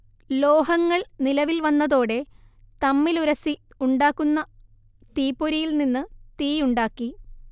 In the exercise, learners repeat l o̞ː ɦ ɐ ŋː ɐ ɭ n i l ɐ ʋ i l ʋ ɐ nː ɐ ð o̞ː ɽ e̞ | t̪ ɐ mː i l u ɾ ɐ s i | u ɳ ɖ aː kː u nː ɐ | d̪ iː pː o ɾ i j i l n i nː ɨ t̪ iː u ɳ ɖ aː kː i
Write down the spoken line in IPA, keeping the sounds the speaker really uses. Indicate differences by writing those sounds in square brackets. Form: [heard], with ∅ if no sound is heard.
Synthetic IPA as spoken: l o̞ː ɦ ɐ ŋː ɐ ɭ n i l ɐ ʋ i l ʋ ɐ nː ɐ ð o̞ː ɽ e̞ | t̪ ɐ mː i l u ɾ ɐ s i | u ɳ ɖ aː kː u nː ɐ | [t̪] iː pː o ɾ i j i l n i nː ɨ t̪ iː u ɳ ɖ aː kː i